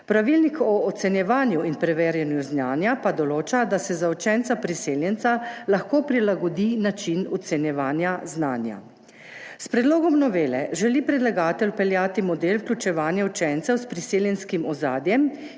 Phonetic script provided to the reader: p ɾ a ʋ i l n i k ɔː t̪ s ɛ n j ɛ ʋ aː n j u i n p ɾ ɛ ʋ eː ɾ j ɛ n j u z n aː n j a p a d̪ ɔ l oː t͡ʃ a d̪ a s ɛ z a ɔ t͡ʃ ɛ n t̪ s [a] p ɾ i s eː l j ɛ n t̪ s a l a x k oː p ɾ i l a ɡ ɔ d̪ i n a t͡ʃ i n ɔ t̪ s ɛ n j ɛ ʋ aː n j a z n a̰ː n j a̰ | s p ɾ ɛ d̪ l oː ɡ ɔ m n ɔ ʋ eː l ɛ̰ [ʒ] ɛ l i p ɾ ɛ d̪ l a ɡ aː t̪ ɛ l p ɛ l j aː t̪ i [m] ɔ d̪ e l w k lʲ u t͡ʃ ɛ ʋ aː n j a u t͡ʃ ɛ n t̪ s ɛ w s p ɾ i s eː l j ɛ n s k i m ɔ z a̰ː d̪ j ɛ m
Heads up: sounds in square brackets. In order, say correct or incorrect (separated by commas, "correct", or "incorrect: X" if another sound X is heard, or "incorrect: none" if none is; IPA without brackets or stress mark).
correct, correct, correct